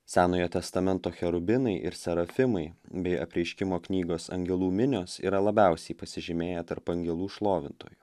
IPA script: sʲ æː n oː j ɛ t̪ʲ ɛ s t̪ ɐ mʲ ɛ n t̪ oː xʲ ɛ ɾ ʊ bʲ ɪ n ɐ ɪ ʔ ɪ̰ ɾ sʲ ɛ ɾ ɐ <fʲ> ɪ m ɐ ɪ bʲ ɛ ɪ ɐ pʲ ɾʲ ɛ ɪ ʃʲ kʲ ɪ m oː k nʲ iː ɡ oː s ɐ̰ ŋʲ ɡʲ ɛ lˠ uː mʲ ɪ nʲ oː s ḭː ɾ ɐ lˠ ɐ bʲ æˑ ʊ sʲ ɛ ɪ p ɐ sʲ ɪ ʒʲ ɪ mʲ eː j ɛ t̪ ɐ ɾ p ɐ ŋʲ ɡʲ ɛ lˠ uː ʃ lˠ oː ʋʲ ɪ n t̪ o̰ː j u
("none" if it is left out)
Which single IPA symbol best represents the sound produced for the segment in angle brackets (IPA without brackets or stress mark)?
fʲ